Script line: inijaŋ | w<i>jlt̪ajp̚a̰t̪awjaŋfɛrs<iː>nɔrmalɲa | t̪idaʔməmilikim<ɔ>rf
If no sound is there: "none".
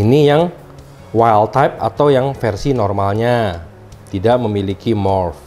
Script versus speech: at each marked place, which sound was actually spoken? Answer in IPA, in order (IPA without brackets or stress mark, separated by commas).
a, i, ɔ